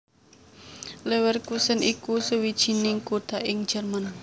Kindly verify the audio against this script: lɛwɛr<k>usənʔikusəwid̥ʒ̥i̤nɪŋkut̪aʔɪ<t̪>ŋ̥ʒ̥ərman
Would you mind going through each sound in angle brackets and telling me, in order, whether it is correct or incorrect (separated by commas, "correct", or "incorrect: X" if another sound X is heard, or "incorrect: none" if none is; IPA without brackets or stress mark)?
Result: correct, incorrect: none